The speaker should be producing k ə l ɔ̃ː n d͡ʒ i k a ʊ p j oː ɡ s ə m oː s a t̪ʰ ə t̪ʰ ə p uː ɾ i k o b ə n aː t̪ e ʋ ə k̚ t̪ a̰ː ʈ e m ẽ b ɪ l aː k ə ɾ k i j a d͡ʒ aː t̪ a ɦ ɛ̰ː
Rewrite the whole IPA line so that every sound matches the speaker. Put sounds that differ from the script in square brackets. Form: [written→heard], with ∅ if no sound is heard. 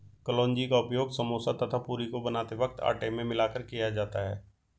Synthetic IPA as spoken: k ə l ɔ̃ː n d͡ʒ i k a ʊ p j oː ɡ s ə m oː s a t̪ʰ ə t̪ʰ [ə→a] p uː ɾ i k o b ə n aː t̪ e ʋ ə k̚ t̪ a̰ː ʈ e m ẽ [b→m] ɪ l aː k ə ɾ k i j a d͡ʒ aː t̪ a ɦ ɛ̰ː